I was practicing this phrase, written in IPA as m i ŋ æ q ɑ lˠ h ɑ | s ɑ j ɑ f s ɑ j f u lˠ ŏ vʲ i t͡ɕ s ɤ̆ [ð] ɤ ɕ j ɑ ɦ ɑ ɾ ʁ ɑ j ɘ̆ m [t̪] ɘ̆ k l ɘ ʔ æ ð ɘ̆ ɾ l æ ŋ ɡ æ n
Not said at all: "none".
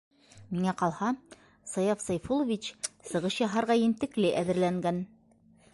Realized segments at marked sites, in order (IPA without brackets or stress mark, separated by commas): ʁ, t̪